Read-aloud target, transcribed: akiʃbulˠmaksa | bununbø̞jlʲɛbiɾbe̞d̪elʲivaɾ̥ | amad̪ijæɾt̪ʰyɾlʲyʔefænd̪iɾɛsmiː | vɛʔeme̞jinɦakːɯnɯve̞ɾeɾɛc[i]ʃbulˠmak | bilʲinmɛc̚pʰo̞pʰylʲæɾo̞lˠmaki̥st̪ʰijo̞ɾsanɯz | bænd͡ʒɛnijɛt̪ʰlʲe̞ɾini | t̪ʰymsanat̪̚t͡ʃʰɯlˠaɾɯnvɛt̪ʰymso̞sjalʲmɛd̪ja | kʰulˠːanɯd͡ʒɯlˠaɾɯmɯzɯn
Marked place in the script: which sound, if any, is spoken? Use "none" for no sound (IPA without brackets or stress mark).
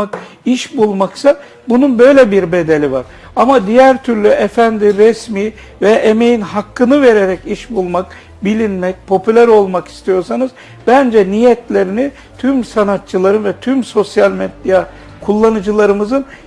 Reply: i